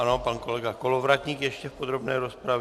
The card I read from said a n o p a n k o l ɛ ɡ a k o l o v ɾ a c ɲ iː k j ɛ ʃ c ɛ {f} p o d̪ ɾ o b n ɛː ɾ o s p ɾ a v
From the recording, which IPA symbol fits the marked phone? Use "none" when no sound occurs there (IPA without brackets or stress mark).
f